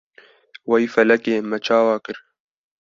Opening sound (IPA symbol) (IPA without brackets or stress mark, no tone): w